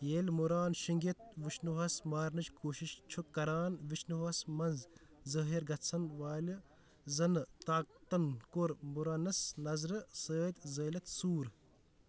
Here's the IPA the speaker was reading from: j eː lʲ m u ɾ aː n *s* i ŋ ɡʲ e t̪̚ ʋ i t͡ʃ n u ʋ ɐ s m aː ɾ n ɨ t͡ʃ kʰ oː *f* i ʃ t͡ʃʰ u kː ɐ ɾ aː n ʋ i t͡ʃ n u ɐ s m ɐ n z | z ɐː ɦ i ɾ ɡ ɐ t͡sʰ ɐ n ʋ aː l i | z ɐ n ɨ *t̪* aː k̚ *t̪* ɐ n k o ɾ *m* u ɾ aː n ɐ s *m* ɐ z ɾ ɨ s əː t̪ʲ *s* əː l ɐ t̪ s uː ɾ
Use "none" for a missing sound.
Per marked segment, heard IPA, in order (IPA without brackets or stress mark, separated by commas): ʃ, ʃ, t̪, t̪, m, n, z